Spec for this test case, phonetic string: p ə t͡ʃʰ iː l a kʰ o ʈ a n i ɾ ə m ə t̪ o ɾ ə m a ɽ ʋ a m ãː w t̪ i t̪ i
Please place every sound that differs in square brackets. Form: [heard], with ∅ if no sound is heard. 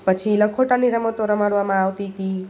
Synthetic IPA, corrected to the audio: p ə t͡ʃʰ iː l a kʰ o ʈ a n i ɾ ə m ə t̪ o ɾ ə m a ɽ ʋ a m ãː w t̪ i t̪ i